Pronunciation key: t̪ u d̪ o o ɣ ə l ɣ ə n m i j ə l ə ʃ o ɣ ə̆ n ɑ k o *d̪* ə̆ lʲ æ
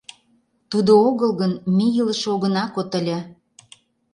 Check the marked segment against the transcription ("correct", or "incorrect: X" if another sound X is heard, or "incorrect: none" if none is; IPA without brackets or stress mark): incorrect: t̪